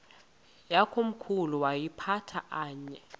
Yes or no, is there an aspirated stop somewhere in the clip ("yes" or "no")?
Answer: yes